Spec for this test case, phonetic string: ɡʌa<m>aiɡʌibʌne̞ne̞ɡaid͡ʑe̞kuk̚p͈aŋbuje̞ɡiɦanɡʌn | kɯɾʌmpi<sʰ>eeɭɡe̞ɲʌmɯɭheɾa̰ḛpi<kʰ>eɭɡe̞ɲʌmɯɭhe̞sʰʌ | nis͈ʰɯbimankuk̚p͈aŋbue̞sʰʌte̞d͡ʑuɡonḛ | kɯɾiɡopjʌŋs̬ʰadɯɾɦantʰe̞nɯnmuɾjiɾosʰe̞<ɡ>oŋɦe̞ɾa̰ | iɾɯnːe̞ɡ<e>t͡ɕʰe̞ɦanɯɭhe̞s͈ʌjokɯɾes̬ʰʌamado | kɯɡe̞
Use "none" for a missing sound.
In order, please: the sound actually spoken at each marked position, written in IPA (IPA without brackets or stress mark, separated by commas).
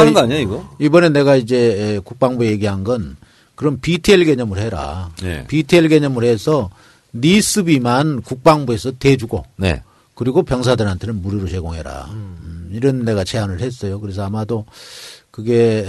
ɲ, tʰ, tʰ, ɡ, a